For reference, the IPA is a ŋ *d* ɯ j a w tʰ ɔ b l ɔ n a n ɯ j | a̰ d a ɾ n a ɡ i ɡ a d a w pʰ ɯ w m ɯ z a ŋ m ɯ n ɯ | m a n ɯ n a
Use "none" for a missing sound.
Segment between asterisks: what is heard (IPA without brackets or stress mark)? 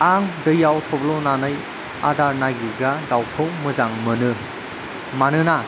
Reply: d